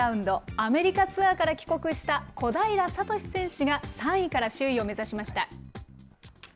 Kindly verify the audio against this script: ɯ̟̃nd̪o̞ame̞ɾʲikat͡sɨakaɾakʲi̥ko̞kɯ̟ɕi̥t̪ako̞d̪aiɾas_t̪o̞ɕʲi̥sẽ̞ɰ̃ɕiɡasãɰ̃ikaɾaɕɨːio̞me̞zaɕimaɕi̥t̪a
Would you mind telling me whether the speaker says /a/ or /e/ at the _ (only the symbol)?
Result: a